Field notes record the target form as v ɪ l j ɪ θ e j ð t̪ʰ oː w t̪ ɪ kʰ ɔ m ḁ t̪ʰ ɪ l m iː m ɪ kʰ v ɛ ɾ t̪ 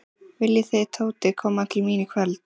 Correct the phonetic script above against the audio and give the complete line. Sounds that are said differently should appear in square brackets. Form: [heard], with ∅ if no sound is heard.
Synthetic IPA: v ɪ l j ɪ θ e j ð t̪ʰ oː w t̪ ɪ kʰ [ɔː] m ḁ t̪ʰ ɪ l m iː [n] ɪ kʰ v ɛ [l] t̪